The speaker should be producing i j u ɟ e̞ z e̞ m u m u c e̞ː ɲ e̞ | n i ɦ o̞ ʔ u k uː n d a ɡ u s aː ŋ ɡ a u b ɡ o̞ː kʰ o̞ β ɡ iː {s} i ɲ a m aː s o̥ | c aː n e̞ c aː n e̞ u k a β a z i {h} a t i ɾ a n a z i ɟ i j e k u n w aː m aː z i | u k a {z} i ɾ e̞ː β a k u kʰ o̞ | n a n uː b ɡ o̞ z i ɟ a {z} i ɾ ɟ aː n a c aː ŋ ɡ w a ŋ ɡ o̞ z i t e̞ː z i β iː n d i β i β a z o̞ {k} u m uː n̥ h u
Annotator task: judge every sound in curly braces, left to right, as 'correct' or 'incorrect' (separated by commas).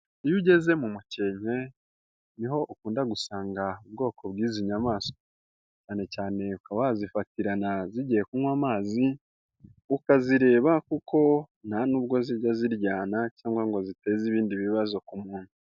incorrect, incorrect, correct, correct, correct